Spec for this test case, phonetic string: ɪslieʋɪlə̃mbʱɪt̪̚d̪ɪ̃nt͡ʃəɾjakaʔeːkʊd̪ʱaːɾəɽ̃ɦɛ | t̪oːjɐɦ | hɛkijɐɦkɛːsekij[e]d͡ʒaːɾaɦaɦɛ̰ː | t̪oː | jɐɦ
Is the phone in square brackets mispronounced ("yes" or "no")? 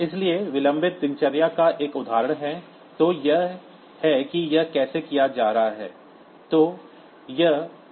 yes